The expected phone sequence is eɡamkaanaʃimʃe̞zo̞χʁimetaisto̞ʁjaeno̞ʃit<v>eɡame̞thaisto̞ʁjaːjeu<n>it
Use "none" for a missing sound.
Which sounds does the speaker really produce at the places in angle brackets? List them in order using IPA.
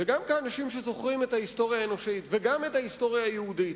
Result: v, d

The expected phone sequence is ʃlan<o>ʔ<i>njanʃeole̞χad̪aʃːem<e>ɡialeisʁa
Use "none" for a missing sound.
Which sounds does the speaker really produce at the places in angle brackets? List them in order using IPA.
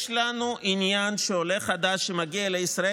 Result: u, i, a

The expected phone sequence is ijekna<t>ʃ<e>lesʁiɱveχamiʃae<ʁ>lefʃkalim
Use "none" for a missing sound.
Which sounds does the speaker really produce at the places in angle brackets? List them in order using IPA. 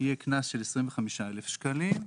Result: s, e, none

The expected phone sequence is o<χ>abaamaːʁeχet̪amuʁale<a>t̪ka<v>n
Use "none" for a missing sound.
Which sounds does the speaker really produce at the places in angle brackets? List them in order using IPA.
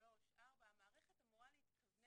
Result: ʃ, i, v

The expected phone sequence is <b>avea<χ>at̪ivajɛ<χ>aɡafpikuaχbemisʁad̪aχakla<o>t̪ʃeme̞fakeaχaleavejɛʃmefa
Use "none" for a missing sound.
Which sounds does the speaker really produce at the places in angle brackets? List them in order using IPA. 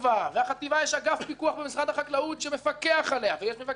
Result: v, χ, ʃ, u

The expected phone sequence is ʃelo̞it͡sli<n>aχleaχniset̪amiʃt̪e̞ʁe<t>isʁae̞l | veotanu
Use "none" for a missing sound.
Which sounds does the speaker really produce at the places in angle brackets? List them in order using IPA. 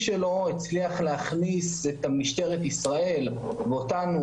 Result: none, t

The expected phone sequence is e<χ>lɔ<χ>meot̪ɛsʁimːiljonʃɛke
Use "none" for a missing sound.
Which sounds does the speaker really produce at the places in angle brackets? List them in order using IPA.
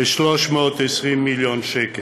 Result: ʃ, ʃ

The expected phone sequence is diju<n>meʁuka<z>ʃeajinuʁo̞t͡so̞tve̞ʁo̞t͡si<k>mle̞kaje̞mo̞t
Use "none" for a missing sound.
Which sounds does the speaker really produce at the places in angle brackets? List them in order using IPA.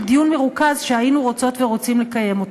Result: n, z, none

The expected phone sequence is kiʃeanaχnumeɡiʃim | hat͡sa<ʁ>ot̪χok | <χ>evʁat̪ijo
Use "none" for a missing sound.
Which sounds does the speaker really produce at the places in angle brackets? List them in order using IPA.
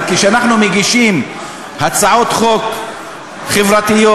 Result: ʕ, χ

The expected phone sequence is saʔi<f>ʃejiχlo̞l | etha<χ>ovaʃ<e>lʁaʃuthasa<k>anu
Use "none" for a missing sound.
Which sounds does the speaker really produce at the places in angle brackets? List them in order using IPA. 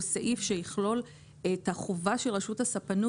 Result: f, χ, e, p

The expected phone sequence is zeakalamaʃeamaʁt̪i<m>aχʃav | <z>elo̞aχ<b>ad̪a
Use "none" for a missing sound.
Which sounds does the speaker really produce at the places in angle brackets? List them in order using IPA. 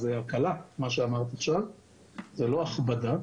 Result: none, z, b

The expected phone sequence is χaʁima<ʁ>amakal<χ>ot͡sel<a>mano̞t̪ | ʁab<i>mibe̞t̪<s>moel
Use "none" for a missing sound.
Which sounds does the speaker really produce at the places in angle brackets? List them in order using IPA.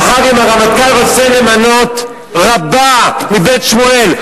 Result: ʁ, ʁ, e, a, ʃ

